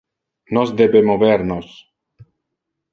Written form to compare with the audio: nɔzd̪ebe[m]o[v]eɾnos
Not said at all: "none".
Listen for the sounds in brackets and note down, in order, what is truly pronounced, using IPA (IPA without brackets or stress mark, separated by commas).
m, β